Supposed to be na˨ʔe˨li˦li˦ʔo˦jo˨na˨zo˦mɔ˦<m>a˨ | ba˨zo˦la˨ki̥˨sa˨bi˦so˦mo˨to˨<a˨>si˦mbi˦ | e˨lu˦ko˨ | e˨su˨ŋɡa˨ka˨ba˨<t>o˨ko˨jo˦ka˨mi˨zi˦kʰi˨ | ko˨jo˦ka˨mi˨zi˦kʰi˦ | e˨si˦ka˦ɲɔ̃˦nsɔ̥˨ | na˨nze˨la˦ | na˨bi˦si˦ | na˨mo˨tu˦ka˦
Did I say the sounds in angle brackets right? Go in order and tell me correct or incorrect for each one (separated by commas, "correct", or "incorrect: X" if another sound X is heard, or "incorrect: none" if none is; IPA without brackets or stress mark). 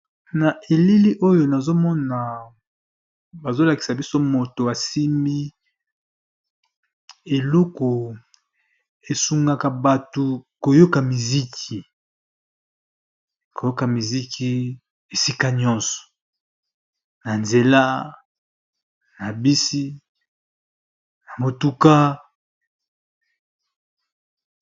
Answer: incorrect: n, correct, correct